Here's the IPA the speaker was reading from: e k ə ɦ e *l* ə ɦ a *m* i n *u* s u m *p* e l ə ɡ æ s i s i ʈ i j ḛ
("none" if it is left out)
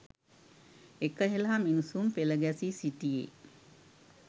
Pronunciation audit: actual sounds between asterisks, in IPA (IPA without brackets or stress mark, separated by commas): l, m, u, p